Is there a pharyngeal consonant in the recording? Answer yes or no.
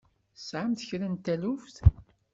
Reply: yes